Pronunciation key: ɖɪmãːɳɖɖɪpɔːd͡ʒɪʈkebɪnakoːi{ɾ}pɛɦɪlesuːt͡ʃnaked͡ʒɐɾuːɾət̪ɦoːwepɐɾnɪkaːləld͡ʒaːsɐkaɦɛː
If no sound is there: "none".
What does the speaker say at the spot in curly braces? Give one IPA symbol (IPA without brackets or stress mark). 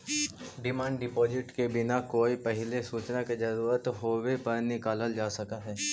none